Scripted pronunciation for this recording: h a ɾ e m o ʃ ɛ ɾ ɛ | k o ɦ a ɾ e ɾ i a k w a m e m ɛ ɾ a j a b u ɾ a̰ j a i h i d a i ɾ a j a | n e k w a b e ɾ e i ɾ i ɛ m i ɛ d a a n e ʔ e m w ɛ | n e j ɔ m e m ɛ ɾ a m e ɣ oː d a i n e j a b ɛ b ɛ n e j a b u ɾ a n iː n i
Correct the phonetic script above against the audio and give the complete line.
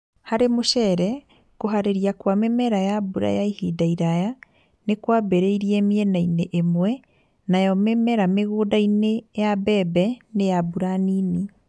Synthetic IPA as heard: h a ɾ e m o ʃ ɛ ɾ ɛ | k o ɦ a ɾ e ɾ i a k w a m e m ɛ ɾ a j a b u ɾ a̰ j a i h i d a i ɾ a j a | n e k w a b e ɾ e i ɾ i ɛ m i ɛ n a i n e ʔ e m w ɛ | n a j ɔ m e m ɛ ɾ a m e ɣ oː d a i n e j a b ɛ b ɛ n e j a b u ɾ a n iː n i

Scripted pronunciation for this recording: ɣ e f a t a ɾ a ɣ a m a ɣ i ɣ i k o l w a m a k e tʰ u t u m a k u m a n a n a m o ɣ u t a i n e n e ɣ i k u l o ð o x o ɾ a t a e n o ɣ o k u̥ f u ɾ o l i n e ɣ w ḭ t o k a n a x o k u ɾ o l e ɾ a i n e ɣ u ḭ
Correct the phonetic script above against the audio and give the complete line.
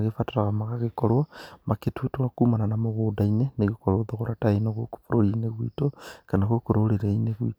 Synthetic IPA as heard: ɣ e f a t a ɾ a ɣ a m a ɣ a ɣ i k o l w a m a k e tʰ u t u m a k u m a n a n a m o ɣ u d a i n e n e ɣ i k o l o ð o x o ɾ a t a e n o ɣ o k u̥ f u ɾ o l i n e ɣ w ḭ t o k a n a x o k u ɾ o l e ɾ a i n e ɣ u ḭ

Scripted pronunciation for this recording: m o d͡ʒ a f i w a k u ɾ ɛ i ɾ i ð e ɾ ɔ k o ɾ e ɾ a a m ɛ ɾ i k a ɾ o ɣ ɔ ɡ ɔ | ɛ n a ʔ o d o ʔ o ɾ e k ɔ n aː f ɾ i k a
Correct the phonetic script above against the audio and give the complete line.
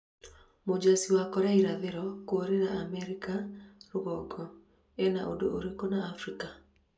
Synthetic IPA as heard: m o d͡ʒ a s i w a k ɔ ɾ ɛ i ɾ a ð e ɾ ɔ k o ɾ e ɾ a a m ɛ ɾ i k a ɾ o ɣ ɔ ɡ ɔ | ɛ n a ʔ o d o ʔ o ɾ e k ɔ n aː f ɾ i k a

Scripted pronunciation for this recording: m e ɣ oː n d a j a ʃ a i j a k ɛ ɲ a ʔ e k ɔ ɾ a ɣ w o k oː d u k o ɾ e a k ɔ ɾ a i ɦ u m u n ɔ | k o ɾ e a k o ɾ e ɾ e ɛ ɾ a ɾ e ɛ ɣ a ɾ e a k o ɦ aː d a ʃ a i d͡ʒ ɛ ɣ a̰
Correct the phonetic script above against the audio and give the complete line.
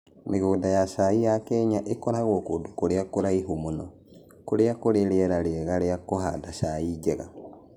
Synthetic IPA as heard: m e ɣ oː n d a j a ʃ a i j a k ɛ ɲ a ʔ e k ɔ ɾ a ɣ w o k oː d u k o ɾ e a k o ɾ a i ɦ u m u n ɔ | k o ɾ e a k o ɾ e ɾ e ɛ ɾ a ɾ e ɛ ɣ a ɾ e a k o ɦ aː d a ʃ a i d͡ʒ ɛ ɣ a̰

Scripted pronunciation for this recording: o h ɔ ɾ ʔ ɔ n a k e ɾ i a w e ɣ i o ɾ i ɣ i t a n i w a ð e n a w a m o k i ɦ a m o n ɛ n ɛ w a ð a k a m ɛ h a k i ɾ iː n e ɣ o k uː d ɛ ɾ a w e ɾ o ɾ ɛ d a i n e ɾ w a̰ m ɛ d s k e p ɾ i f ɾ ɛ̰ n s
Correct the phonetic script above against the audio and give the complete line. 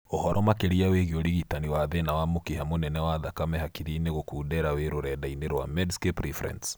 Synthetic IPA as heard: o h ɔ ɾ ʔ ɔ m a k e ɾ i a w e ɣ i o ɾ i ɣ i t a n i w a ð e n a w a m o k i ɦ a m o n ɛ n ɛ w a ð a k a m ɛ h a k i ɾ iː n e ɣ o k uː d ɛ ɾ a w e ɾ o ɾ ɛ d a i n e ɾ w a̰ m ɛ d s k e p ɾ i f ɾ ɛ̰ n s

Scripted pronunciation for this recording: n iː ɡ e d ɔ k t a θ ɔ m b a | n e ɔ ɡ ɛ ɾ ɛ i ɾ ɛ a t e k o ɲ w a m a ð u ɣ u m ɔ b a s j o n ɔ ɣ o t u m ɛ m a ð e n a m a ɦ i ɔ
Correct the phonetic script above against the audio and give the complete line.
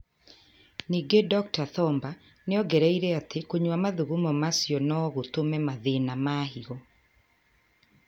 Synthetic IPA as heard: n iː ɡ e d ɔ k t a θ ɔ m b a | n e ɔ ɡ ɛ ɾ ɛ i ɾ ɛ a t e k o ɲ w a m a ð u ɣ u m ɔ m a s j ɔ n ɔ ɣ o t o m ɛ m a ð e n a m a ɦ i ɔ

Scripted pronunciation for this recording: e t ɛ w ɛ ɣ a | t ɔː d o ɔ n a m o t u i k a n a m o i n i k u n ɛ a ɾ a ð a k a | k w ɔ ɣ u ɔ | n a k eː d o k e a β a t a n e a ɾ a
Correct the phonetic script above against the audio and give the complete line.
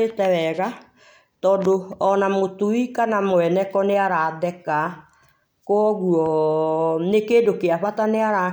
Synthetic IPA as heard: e t ɛ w ɛ ɣ a | t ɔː d o ɔ n a m o t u i k a n a m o ɛ n ɛ k ɔ n e a ɾ a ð ɛ k a | k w ɔ ɣ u ɔ | n e k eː d o k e a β a t a n e a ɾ a

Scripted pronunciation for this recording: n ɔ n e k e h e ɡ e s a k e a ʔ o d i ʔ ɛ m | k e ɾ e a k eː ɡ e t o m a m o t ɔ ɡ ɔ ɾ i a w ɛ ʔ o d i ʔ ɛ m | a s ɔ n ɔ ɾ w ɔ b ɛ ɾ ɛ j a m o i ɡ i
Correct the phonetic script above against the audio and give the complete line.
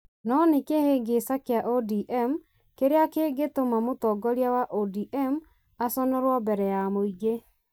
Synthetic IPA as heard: n ɔ n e k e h e ɡ e s a k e a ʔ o d i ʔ ɛ m | k e ɾ e a k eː ɡ e t o m a m o t ɔ ɡ ɔ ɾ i a w a ʔ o d i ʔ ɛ m | a s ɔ n ɔ ɾ w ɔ b ɛ ɾ ɛ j a m o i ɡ e

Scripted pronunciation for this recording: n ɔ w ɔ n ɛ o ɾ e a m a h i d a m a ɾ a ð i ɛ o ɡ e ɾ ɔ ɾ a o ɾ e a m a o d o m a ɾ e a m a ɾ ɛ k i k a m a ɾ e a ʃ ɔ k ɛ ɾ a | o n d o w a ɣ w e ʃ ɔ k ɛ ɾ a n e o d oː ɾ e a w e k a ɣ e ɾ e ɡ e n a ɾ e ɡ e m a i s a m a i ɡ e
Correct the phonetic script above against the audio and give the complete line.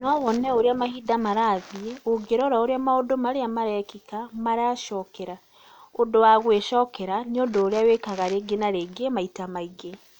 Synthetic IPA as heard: n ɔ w ɔ n ɛ o ɾ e a m a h i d a m a ɾ a ð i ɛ o ɡ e ɾ ɔ ɾ a o ɾ e a m a o d o m a ɾ e a m a ɾ ɛ k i k a m a ɾ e a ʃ ɔ k ɛ ɾ a | o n d o w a ɣ w e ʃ ɔ k ɛ ɾ a n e o d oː ɾ e a w e k a ɣ a ɾ e ɡ e n a ɾ e ɡ e m a i t a m a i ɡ e

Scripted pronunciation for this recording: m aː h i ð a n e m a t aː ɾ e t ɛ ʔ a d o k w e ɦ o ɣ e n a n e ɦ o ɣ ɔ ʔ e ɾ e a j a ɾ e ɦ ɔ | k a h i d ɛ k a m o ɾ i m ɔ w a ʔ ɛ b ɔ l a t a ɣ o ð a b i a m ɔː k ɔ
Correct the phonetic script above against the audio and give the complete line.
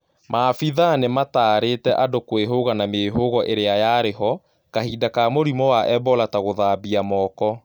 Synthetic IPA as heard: m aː f i ð a n e m a t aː ɾ e t ɛ ʔ a d o k w e ɦ o ɣ a n a m e ɦ o ɣ ɔ ʔ e ɾ e a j a ɾ e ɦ ɔ | k a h i d a k a m o ɾ i m ɔ w a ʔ ɛ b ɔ l a t a ɣ o ð a b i a m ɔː k ɔ

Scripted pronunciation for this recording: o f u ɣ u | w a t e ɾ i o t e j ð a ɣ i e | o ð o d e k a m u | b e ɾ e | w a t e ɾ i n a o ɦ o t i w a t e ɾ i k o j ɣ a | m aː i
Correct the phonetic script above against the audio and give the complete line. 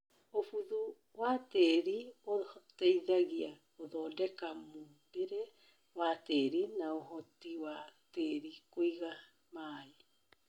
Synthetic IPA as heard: o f u ð u | w a t e ɾ i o t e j ð a ɣ i a | o ð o d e k a m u | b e ɾ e | w a t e ɾ i n a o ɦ o t i w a t e ɾ i k o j ɣ a | m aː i

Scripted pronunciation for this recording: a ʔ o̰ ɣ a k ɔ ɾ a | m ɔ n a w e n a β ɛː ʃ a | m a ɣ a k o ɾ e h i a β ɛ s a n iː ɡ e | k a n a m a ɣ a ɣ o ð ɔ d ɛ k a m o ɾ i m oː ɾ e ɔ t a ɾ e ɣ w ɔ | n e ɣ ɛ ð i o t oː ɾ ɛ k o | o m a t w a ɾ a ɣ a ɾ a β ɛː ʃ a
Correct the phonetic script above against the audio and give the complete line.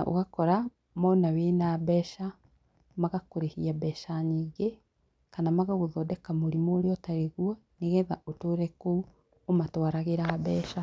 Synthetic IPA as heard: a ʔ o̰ ɣ a k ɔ ɾ a | m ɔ n a w e n a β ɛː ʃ a | m a ɣ a k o ɾ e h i a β ɛ ʃ a ɲ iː ɡ e | k a n a m a ɣ a ɣ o ð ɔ d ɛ k a m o ɾ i m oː ɾ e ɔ t a ɾ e ɣ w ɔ | n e ɣ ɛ ð a o t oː ɾ ɛ k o | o m a t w a ɾ a ɣ e ɾ a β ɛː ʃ a

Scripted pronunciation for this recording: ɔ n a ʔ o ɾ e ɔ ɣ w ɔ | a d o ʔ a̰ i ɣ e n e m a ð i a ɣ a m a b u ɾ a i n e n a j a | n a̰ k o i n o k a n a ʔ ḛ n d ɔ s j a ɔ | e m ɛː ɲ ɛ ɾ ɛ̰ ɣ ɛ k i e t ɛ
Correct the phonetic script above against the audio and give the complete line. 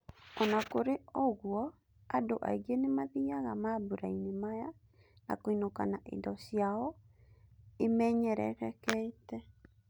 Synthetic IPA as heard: ɔ n a k o ɾ e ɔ ɣ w ɔ | a d o ʔ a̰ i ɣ e n e m a ð i a ɣ a m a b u ɾ a i n e m a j a | n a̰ k o i n o k a n a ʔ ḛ n d ɔ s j a ɔ | e m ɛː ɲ ɛ ɾ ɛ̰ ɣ ɛ k ɛ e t ɛ

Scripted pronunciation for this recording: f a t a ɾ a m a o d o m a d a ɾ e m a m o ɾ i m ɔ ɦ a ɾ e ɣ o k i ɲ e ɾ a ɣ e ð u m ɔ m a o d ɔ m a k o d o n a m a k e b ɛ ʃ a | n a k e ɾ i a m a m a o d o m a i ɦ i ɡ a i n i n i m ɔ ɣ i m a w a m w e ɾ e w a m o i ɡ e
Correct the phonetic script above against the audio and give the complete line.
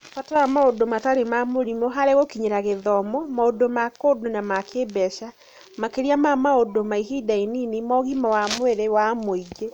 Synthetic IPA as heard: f a t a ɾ a m a o d o m a t a ɾ e m a m o ɾ i m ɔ ɦ a ɾ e ɣ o k i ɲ e ɾ a ɣ e ð ɔ m ɔ m a o d o m a k o d o n a m a k e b ɛ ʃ a | m a k e ɾ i a m a m a o d o m a i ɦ i d a i n i n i m ɔ ɣ i m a w a m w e ɾ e w a m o i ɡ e

